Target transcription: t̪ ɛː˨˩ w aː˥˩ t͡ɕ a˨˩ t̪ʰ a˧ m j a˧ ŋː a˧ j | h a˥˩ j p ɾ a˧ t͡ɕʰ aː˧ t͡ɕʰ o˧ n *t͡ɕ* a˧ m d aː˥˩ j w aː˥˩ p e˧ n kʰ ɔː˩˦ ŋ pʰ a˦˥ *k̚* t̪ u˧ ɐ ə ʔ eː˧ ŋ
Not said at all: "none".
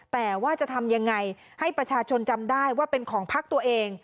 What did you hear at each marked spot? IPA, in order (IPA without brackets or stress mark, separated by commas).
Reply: t͡ɕ, k̚